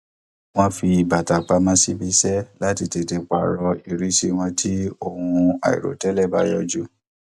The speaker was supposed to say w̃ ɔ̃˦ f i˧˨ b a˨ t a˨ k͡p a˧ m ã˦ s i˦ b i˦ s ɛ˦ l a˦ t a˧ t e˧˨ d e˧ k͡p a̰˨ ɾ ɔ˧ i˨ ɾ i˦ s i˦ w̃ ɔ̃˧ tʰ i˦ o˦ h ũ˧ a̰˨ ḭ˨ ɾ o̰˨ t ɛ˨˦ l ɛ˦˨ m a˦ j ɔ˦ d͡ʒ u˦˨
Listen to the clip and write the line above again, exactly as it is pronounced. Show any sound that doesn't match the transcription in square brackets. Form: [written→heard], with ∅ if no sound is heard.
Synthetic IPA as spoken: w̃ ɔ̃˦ f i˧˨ b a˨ t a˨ k͡p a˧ m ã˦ s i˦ b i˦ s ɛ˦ l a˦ t [a˧→i˧] t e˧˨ [d→t] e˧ k͡p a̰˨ ɾ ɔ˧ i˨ ɾ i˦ s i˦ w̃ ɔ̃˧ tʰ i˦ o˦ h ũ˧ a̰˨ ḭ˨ ɾ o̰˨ t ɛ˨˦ l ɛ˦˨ [m→b] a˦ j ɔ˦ d͡ʒ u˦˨